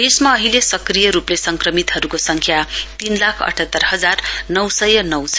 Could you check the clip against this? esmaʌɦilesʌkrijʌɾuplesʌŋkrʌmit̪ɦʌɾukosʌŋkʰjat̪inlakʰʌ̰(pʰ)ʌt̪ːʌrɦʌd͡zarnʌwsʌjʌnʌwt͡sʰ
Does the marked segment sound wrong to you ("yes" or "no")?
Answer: yes